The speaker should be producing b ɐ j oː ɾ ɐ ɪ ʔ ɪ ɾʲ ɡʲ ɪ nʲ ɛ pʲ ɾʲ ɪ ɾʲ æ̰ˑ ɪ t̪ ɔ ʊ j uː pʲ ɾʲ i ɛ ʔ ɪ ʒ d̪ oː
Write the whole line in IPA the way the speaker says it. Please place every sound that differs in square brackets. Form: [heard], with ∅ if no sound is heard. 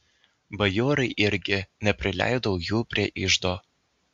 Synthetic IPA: b ɐ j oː ɾ ɐ ɪ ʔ ɪ ɾʲ ɡʲ ɪ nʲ ɛ pʲ ɾʲ ɪ [lʲ] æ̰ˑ ɪ [d̪] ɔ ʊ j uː pʲ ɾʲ i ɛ ʔ ɪ ʒ d̪ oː